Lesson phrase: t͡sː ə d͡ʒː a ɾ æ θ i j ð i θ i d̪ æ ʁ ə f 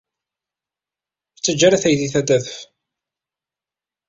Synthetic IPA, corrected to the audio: t͡sː ə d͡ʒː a ɾ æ θ æ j ð i θ æ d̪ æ ð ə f